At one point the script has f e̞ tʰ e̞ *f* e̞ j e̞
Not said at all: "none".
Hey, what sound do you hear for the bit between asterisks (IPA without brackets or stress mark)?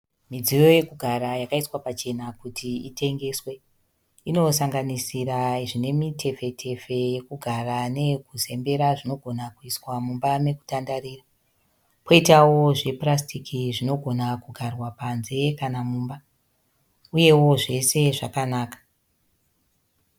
f